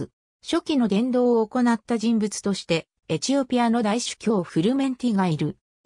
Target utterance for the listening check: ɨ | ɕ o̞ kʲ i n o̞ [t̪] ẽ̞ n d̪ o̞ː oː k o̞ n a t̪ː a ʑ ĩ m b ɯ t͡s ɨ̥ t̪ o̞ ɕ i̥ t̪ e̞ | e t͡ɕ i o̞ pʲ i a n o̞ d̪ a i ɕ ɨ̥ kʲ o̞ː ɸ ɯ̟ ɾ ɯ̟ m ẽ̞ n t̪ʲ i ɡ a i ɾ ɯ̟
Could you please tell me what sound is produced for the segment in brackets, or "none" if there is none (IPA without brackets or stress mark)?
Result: d̪